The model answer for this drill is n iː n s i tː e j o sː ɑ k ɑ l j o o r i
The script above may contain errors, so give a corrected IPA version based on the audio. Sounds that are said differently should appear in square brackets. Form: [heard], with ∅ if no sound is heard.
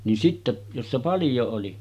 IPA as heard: n [i] n s i tː e j o sː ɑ [p] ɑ l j o o [l] i